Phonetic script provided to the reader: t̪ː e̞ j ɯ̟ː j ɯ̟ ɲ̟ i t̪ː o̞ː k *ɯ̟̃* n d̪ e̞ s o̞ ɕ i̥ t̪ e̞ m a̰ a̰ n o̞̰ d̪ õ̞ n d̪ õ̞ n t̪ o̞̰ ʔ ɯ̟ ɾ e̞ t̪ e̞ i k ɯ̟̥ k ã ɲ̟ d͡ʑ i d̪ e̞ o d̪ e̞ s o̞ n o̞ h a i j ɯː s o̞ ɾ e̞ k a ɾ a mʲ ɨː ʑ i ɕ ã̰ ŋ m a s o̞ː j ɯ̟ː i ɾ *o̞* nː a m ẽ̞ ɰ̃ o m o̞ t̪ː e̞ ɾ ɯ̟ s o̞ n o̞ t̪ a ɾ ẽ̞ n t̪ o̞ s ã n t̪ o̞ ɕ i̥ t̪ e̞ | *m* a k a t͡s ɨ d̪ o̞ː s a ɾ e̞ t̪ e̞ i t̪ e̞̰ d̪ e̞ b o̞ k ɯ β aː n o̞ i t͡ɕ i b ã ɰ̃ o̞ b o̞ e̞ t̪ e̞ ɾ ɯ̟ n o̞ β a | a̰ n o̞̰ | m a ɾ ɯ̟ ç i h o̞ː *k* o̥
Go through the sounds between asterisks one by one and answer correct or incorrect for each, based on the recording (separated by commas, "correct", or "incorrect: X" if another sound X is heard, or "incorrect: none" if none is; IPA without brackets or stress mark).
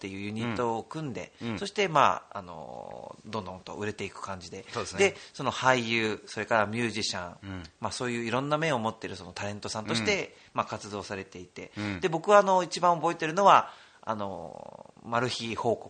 correct, incorrect: õ̞, correct, correct